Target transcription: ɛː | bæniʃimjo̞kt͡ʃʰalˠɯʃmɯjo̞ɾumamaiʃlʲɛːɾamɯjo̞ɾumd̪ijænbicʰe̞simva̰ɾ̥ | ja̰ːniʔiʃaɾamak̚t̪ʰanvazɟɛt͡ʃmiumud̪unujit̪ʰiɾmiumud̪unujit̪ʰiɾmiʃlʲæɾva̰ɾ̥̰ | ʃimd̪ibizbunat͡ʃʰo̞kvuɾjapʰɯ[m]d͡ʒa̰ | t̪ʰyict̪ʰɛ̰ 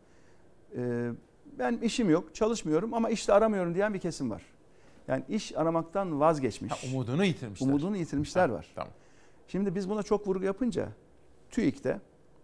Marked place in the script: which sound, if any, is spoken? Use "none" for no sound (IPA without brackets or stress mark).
n